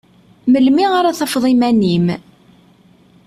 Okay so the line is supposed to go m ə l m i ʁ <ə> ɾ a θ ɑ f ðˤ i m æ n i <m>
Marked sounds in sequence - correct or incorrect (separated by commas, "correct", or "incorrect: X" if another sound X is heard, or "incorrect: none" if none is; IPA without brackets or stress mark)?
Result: incorrect: a, correct